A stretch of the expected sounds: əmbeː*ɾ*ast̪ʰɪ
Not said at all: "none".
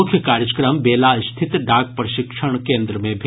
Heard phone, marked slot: l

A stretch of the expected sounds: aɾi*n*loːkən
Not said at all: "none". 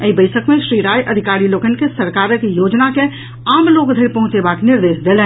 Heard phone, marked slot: none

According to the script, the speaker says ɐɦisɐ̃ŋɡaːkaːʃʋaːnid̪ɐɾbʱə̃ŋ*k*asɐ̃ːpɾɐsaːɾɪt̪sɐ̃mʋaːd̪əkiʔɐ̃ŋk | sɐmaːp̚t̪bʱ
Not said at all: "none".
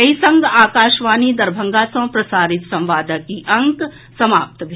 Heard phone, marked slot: ɡ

